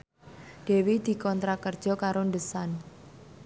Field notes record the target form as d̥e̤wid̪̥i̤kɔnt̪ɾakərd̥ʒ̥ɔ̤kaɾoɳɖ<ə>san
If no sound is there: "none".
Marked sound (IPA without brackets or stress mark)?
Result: ə